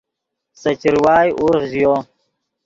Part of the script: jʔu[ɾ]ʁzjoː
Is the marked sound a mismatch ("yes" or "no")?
no